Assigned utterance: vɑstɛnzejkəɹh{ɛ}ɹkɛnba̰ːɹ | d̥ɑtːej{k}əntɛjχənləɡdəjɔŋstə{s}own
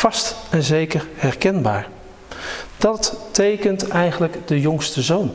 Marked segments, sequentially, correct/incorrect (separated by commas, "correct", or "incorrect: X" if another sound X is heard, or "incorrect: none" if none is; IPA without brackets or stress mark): correct, correct, incorrect: z